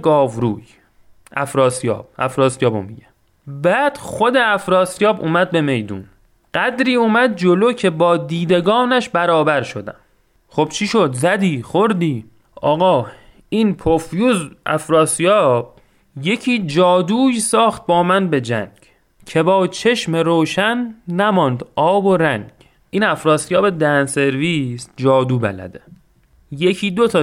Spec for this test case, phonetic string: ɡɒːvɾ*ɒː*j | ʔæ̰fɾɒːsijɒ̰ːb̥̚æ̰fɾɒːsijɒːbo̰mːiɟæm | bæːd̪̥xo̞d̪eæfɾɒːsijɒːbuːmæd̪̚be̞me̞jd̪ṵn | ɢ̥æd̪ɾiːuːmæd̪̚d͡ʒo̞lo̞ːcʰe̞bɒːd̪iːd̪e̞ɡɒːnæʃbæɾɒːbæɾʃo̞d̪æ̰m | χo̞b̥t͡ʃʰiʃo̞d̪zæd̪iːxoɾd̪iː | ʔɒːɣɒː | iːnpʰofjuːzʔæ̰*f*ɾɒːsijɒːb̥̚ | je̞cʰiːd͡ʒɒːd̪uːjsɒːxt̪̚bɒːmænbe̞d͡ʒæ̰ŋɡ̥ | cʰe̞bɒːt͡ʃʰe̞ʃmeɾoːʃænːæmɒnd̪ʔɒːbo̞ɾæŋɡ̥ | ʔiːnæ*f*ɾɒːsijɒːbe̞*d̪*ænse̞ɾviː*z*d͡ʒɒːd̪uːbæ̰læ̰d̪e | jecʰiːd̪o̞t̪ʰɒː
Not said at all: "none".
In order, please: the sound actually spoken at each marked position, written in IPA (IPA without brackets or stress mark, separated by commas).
uː, f, f, d̪, s